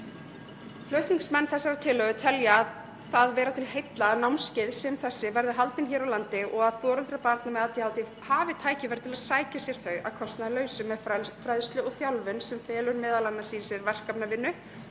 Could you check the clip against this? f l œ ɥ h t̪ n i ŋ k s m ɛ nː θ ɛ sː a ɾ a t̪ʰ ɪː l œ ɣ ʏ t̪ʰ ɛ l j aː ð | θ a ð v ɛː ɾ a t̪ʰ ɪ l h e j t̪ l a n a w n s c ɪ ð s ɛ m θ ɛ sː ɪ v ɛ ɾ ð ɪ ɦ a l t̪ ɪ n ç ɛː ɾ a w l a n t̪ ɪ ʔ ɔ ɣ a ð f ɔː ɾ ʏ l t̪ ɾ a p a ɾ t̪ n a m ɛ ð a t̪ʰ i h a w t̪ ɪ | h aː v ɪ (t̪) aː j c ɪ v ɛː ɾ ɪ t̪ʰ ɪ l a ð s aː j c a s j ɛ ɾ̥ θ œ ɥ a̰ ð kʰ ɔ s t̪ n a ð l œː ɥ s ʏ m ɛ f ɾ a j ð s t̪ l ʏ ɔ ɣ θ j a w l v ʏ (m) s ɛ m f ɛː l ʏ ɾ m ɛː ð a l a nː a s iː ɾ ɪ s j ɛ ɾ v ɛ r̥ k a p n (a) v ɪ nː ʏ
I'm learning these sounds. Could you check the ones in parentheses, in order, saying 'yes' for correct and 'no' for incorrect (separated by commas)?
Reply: no, no, yes